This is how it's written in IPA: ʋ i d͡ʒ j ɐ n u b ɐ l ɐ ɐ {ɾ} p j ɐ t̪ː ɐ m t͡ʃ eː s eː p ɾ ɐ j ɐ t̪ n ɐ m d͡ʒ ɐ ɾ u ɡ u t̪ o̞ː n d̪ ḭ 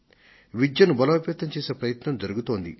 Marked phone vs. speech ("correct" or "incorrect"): incorrect